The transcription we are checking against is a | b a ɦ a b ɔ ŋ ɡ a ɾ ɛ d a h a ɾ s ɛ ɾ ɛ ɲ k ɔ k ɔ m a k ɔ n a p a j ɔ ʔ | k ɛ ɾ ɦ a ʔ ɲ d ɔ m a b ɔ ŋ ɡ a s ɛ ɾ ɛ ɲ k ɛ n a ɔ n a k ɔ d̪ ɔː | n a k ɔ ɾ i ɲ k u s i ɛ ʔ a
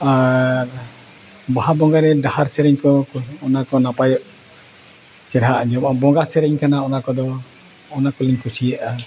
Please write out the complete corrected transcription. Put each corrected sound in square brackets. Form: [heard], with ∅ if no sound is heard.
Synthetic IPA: a | b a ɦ a b ɔ ŋ ɡ a ɾ ɛ d a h a ɾ s ɛ ɾ ɛ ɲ k ɔ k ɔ [n] a k ɔ n a p a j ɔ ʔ | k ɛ ɾ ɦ a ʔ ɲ [d͡ʒ] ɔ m a b ɔ ŋ ɡ a s ɛ ɾ ɛ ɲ k [a] n a ɔ n a k ɔ d̪ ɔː | n a k ɔ [l] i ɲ k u s i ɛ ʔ a